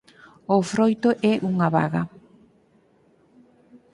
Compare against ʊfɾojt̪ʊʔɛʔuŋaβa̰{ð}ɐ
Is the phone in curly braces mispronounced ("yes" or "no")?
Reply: yes